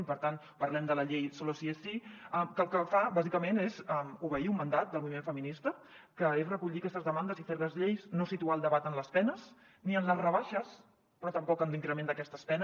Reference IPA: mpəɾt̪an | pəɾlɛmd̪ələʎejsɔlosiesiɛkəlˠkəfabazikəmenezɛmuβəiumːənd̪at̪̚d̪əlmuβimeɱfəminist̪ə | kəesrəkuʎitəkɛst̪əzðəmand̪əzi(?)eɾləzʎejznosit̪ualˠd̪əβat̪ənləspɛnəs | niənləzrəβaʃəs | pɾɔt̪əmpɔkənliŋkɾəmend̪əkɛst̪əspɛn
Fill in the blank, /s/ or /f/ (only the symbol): f